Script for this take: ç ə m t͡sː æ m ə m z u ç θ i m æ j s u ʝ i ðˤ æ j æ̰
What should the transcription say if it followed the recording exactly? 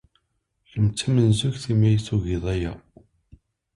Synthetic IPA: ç ə m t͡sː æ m ə n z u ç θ i m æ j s u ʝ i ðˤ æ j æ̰